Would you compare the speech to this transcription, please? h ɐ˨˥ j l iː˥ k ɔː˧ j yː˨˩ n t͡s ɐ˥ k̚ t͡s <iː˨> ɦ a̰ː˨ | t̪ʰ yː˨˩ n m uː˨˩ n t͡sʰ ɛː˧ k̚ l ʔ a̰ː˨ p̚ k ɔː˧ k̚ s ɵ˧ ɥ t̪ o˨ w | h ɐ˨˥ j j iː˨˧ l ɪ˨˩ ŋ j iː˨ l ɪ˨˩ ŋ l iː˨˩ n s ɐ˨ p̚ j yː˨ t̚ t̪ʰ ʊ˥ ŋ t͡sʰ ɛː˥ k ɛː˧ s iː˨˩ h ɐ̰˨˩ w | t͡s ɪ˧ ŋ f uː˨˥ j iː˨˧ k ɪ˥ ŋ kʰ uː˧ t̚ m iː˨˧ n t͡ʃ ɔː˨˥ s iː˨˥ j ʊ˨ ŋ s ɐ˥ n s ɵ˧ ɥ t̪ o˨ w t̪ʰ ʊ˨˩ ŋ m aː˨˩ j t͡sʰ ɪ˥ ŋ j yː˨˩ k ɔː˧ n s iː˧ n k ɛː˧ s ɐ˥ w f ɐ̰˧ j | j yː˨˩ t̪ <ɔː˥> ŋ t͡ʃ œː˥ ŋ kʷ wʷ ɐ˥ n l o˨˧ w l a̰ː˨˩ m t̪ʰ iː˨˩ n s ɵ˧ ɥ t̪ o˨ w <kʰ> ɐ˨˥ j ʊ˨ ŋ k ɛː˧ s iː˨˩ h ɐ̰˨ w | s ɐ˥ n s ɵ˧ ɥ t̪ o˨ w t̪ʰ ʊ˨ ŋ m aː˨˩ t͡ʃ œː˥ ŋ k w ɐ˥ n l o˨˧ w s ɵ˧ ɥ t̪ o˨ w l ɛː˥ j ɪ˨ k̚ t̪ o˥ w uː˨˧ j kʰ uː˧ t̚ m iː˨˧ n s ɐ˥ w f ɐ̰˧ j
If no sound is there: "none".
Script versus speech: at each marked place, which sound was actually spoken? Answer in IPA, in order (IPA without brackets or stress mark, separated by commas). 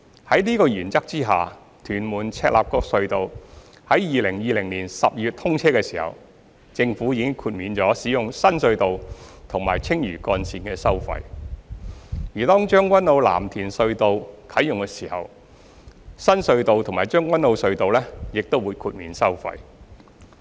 iː˥, ɔː˥, kʰ